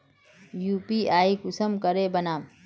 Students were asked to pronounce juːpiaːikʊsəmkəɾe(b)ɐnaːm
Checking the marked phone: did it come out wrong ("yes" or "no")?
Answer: no